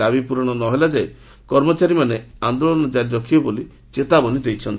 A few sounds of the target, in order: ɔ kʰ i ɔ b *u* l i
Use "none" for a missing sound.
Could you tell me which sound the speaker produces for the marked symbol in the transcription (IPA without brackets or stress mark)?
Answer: o